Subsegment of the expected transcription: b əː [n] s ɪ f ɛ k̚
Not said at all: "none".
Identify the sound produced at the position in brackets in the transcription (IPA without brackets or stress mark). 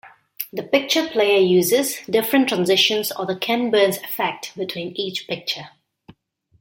n